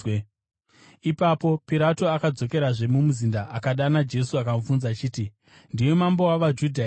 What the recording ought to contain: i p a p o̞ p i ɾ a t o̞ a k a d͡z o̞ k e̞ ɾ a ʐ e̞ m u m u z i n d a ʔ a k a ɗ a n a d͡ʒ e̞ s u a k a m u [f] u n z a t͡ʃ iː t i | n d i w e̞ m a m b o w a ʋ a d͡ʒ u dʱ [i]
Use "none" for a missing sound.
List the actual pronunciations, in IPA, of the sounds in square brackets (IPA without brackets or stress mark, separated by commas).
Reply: f, a